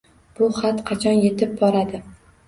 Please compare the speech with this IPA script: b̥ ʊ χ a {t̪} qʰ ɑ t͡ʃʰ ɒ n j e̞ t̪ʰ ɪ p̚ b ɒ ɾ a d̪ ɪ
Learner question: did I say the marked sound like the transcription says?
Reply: yes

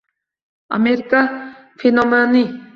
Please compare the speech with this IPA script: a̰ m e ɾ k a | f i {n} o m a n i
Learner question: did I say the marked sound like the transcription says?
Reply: yes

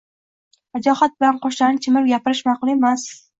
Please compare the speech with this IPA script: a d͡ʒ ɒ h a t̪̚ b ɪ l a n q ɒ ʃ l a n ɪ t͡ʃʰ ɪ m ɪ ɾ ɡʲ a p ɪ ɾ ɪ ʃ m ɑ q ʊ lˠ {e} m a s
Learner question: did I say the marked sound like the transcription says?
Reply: yes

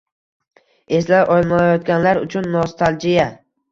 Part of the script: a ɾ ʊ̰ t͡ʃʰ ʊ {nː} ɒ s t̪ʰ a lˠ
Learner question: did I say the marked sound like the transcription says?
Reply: yes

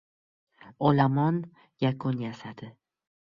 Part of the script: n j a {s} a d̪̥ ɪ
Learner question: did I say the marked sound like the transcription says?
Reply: yes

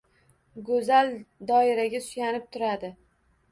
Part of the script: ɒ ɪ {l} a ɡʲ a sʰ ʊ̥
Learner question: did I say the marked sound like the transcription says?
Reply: no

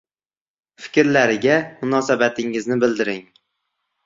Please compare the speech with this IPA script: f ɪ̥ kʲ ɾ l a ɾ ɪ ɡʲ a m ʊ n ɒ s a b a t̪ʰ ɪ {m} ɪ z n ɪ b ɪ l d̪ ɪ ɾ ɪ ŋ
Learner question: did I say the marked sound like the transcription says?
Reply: no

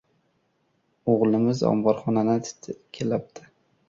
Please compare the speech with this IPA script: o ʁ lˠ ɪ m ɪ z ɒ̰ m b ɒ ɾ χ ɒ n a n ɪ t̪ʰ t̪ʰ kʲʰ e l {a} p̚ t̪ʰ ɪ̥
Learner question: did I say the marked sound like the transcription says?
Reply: yes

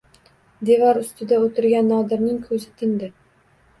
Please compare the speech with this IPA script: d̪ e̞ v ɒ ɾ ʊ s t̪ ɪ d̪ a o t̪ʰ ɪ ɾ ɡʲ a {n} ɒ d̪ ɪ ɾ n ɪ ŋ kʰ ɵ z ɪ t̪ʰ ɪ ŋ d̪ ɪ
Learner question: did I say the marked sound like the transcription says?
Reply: no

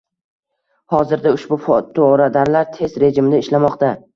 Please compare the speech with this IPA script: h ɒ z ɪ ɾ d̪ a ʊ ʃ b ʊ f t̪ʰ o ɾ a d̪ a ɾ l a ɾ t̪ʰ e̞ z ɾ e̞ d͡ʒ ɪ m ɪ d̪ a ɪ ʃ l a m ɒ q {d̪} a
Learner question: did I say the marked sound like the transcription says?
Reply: no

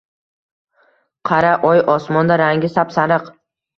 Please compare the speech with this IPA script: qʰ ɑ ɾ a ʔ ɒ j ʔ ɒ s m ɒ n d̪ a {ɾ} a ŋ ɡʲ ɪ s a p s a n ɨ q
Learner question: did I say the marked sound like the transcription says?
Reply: yes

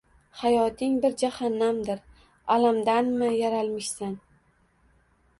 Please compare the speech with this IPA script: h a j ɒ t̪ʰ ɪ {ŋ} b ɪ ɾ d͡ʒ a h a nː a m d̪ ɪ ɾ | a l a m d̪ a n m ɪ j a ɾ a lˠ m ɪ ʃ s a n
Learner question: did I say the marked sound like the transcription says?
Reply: yes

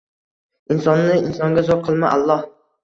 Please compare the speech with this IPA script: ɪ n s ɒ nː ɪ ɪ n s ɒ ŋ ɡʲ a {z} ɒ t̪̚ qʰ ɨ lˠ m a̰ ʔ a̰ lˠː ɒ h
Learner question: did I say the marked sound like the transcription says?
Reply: yes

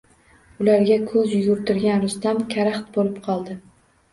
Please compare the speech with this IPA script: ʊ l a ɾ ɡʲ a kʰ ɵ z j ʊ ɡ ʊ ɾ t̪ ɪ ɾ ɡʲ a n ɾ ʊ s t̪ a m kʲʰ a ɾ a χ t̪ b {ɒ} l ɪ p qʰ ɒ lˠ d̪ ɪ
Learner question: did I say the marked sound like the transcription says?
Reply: no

